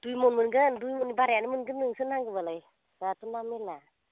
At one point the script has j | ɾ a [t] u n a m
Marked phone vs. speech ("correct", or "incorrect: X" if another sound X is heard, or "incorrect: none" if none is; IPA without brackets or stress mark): correct